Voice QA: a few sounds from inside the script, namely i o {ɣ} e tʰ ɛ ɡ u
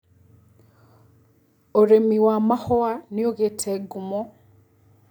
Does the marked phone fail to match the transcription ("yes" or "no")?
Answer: no